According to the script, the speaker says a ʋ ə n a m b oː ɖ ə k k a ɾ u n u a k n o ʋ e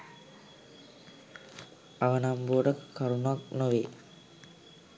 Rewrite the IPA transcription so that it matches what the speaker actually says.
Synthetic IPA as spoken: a ʋ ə n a m b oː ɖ ə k k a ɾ u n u a k n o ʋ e